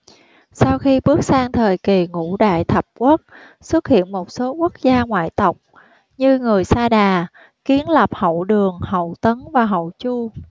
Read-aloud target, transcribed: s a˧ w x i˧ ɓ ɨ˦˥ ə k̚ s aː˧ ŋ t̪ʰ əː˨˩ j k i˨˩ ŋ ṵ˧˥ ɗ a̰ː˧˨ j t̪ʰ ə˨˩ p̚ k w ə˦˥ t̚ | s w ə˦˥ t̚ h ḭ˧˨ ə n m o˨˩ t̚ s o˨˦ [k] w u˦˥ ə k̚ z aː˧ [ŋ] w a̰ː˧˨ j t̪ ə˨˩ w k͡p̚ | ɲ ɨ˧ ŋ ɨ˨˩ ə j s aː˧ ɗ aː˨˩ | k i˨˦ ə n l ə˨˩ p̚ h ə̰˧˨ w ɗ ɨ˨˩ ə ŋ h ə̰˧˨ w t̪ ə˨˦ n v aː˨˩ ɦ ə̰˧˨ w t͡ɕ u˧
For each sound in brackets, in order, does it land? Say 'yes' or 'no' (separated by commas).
yes, yes